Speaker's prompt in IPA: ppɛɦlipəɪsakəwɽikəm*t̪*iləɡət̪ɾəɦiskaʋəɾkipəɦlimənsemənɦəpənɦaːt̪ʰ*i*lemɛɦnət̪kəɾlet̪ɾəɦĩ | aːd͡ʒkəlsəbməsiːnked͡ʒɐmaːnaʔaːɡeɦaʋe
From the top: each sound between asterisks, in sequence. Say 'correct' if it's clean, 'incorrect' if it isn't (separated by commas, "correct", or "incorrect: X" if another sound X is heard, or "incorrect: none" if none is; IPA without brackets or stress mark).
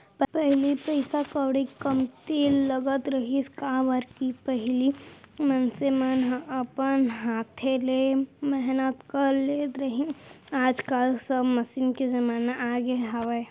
correct, incorrect: e